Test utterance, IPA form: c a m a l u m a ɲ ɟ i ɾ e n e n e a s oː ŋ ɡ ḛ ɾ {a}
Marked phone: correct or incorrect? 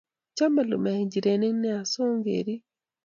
incorrect: i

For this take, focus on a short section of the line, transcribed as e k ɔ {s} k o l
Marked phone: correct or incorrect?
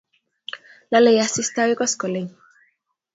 correct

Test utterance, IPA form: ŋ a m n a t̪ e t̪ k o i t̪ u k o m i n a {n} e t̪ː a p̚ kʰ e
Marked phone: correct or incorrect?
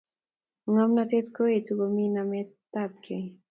incorrect: m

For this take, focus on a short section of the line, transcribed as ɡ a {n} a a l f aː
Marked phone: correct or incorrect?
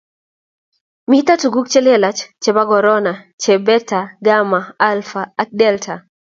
incorrect: m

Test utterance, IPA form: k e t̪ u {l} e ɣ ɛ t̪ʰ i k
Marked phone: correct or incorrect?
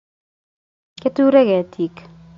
incorrect: ɾ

